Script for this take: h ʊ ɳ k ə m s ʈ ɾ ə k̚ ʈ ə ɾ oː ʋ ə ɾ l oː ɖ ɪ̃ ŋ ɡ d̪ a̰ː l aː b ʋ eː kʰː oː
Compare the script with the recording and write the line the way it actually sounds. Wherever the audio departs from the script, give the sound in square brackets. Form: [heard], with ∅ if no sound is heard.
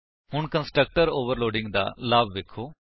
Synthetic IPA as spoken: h ʊ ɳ k ə [n] s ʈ ɾ ə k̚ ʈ ə ɾ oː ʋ ə ɾ l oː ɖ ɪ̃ ŋ ɡ d̪ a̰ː l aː b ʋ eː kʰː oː